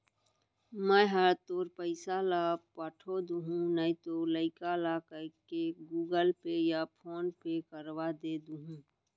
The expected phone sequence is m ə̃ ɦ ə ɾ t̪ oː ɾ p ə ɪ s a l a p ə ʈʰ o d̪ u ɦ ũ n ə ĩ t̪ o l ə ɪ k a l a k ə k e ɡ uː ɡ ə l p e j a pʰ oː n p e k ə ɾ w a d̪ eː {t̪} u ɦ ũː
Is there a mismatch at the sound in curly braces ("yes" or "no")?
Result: yes